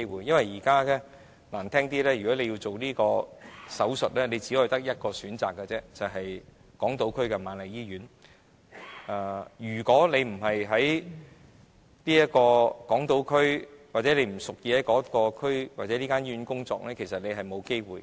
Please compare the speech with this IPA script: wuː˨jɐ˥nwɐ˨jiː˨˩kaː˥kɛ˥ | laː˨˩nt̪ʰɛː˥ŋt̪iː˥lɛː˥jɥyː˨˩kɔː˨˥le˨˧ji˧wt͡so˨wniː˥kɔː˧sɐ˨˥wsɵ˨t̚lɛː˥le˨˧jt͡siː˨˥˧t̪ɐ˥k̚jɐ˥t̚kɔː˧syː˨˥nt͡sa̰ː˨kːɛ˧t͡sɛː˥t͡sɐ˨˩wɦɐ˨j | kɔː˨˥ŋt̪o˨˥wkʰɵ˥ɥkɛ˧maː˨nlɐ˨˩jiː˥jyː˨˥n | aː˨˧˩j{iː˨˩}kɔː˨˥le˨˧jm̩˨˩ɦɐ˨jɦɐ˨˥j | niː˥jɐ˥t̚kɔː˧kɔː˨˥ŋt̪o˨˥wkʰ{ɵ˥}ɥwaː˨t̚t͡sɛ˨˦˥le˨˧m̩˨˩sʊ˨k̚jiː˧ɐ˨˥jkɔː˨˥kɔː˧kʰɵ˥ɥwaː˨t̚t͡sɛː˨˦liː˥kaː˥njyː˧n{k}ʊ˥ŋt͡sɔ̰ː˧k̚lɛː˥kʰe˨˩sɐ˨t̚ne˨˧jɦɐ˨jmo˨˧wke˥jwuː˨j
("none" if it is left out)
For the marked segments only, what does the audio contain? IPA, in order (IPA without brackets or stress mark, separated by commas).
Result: yː˨˩, ɵ˥, k